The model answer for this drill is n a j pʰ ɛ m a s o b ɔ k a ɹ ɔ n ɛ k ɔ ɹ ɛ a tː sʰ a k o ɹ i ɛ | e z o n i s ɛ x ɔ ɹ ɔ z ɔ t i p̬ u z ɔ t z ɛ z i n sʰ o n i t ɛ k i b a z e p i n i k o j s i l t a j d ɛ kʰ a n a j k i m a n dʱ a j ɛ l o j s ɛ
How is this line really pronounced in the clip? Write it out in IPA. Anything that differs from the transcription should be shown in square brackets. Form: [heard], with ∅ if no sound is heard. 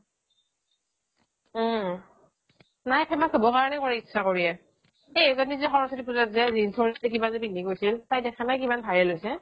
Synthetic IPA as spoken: n a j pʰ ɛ m a s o b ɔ k a ɹ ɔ n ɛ k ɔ ɹ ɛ [i] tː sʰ a k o ɹ i ɛ | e z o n i [z] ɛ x ɔ ɹ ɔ [s] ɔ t i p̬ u z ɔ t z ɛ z i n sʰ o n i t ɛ k i b a z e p i n i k o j s i l t a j d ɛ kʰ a n a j k i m a n [bʱ] a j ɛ l o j s ɛ